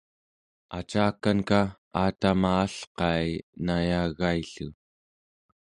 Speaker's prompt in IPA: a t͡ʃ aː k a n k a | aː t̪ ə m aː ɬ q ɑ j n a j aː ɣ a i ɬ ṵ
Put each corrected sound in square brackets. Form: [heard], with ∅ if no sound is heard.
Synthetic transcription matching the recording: a t͡ʃ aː k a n k a | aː t̪ [a] m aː ɬ q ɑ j n a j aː ɣ a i ɬ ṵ